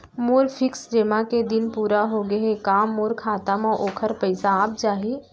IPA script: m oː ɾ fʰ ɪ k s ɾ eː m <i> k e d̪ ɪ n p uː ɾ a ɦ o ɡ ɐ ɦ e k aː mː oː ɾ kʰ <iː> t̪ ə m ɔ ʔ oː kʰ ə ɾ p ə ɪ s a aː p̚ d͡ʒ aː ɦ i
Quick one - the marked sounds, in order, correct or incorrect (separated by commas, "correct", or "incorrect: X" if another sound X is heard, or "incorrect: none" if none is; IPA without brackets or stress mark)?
incorrect: a, incorrect: aː